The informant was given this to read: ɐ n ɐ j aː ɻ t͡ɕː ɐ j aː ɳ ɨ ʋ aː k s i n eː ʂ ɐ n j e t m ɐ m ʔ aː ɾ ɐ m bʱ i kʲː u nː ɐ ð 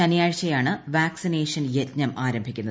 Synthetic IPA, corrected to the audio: ɐ n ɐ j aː ɻ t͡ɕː ɐ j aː ɳ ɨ ʋ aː k s i n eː ʂ ɐ n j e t ɲ ɐ m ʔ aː ɾ ɐ m bʱ i kʲː u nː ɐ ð